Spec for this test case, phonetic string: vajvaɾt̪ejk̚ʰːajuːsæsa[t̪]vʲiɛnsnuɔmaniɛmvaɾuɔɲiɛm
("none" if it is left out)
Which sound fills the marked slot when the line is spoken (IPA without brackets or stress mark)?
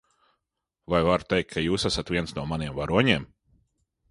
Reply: t̪